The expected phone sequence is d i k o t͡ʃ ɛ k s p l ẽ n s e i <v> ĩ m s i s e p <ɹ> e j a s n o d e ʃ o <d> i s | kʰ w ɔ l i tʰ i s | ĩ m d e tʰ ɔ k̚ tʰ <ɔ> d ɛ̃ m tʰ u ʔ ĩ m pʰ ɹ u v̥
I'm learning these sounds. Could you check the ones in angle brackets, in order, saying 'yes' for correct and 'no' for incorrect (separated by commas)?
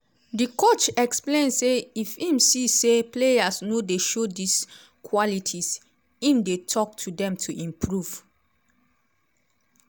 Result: no, no, yes, no